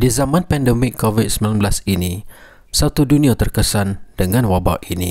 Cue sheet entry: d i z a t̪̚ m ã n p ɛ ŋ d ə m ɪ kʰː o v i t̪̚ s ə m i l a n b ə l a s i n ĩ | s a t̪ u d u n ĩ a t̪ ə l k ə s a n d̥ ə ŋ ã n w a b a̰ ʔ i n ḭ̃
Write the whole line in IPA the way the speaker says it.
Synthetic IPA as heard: d i z a m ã n p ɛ n d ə m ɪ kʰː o v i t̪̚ s ə m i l a n b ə l a s i n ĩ | s a t̪ u d u n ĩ a t̪ ə r k ə s a n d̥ ə ŋ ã n w a b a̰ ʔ i n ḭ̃